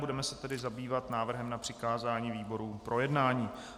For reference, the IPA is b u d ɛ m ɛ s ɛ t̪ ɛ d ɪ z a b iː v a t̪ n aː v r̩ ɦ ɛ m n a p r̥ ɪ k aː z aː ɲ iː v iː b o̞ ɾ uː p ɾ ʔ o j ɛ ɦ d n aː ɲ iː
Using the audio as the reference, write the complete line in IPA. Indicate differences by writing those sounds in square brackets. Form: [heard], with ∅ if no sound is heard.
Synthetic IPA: b u d ɛ m ɛ s ɛ t̪ ɛ d ɪ z a b iː v a t̪ n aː v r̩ ɦ ɛ m n a p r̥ ɪ k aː z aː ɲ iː v iː b o̞ ɾ uː p ɾ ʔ o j ɛ [∅] d n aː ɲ iː